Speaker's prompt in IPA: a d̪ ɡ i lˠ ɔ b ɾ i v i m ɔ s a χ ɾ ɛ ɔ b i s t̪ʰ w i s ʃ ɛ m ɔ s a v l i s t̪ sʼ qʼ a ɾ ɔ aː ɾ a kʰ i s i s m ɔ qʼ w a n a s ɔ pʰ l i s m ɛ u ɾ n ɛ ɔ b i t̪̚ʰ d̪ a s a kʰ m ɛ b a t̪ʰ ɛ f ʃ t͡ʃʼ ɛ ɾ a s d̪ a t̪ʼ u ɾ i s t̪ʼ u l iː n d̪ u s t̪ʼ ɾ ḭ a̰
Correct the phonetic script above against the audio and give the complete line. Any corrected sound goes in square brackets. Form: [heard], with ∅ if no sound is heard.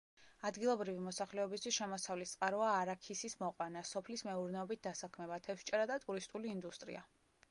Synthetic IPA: a d̪ ɡ i lˠ ɔ b ɾ i v i m ɔ s a χ [l] ɛ ɔ b i s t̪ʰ w i s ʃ ɛ m ɔ s a v l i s t̪ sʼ qʼ a ɾ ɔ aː ɾ a kʰ i s i s m ɔ qʼ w a n a s ɔ pʰ l i s m ɛ u ɾ n ɛ ɔ b i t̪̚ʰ d̪ a s a kʰ m ɛ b a t̪ʰ ɛ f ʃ t͡ʃʼ ɛ ɾ a [∅] d̪ a t̪ʼ u ɾ i s t̪ʼ u l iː n d̪ u s t̪ʼ ɾ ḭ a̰